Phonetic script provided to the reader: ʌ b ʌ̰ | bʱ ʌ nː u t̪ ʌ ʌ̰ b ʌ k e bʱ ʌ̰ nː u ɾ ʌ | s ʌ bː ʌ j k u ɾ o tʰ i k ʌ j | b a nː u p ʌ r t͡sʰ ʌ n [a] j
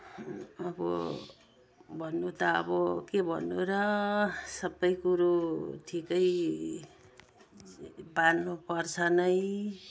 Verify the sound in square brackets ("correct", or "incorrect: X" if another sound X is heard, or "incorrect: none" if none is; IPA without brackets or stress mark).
incorrect: ʌ